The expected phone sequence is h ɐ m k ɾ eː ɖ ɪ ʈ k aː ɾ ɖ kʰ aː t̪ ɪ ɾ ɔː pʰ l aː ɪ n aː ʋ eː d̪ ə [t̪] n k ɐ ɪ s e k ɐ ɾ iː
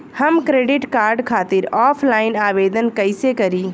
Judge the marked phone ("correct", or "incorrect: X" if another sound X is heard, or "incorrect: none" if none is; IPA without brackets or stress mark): incorrect: none